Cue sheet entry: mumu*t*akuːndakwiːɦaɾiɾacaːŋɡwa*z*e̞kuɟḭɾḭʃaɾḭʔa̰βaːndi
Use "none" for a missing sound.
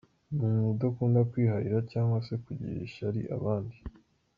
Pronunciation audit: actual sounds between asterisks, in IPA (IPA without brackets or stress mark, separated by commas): d, s